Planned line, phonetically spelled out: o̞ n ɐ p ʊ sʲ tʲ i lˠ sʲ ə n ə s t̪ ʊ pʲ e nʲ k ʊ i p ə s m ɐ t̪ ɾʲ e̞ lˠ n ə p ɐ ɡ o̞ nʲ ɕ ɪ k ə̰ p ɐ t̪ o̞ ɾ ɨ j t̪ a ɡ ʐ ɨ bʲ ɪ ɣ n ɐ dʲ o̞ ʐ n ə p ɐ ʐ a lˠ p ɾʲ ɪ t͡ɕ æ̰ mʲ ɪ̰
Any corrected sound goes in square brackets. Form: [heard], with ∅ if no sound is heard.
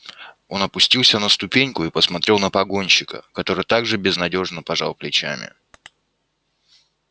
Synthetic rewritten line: o̞ n ɐ p ʊ sʲ tʲ i lˠ sʲ ə n ə s t̪ ʊ pʲ e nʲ k ʊ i p ə s m ɐ t̪ ɾʲ e̞ lˠ n ə p ɐ ɡ o̞ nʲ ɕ ɪ k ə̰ [k] ɐ t̪ o̞ ɾ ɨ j t̪ a ɡ ʐ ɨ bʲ ɪ [z] n ɐ dʲ o̞ ʐ n ə p ɐ ʐ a lˠ p [lʲ] ɪ t͡ɕ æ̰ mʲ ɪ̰